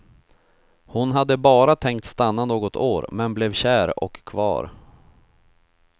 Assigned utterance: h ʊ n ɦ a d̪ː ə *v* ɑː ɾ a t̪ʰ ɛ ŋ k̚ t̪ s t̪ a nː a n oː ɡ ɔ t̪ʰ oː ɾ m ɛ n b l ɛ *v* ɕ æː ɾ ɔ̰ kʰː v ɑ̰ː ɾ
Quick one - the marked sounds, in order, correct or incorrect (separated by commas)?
incorrect, correct